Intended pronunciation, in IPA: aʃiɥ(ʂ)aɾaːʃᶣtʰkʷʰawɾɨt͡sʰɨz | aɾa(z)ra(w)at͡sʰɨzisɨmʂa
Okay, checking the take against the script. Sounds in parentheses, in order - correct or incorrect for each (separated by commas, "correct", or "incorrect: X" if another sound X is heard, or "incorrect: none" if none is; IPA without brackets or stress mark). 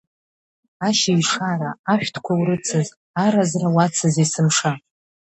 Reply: correct, correct, correct